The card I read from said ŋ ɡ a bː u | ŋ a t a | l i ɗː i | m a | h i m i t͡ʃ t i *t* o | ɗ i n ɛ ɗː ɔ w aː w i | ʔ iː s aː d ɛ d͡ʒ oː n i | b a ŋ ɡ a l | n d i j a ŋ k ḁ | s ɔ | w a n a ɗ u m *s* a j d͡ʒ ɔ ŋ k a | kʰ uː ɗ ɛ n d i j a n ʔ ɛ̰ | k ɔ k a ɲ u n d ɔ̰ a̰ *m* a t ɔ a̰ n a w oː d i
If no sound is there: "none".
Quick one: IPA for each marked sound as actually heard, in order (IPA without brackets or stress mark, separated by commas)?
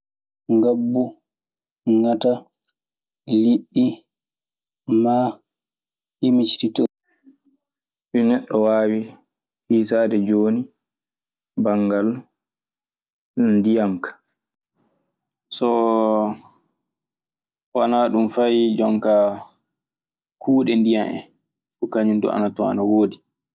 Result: t, f, n